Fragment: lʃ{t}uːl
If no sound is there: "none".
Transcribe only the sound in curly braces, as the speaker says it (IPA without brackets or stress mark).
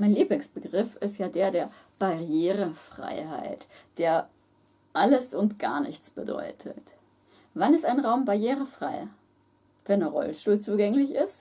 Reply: t